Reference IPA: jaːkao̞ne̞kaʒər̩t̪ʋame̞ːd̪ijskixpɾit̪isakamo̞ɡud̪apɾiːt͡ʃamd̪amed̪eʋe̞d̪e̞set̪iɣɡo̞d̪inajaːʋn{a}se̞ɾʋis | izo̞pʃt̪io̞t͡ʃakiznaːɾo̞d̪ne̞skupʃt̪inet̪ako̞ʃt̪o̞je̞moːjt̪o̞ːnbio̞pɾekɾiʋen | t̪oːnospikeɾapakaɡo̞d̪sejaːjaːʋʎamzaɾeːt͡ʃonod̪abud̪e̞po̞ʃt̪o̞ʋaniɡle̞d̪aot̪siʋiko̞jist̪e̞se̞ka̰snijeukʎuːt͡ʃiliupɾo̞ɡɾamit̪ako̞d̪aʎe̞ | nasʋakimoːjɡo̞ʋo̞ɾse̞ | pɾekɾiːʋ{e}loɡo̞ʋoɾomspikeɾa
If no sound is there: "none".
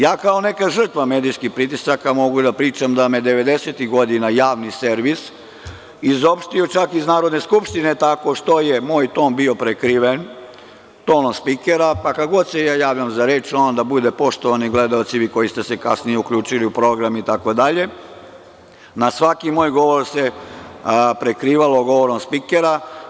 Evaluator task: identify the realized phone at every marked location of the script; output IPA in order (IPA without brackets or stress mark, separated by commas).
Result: i, a